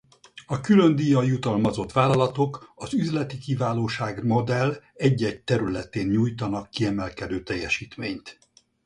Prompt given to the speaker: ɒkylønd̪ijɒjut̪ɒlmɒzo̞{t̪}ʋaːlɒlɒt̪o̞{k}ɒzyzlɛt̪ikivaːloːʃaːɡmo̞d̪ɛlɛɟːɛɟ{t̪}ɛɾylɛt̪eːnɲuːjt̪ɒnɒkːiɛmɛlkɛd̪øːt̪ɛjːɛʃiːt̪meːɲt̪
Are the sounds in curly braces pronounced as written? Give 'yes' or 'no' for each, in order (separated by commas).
yes, yes, yes